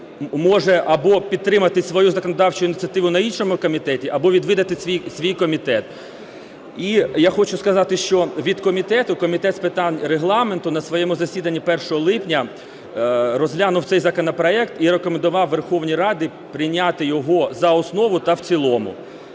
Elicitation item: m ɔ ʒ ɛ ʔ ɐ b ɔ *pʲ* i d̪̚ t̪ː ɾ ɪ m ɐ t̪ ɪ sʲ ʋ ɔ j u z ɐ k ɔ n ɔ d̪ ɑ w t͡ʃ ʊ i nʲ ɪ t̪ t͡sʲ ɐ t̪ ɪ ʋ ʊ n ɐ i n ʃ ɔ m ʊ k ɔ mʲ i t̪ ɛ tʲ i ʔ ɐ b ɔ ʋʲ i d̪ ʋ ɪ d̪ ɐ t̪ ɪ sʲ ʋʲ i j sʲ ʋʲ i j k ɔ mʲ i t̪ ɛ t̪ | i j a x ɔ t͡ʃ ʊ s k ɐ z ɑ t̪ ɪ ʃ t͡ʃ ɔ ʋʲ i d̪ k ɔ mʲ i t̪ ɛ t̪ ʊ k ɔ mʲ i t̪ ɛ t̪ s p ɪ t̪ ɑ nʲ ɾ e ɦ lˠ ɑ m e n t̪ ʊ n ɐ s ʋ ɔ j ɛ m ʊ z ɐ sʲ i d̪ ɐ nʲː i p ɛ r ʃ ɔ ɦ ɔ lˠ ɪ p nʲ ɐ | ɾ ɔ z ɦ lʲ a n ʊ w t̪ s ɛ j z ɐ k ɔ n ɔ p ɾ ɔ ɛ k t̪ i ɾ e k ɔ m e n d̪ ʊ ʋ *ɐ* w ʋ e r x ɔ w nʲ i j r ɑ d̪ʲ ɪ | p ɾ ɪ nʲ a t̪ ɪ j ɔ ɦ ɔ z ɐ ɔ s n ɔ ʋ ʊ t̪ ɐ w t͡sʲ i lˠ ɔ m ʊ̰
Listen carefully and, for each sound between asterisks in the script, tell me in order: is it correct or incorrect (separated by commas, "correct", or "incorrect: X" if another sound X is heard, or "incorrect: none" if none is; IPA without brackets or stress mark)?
correct, incorrect: ɑ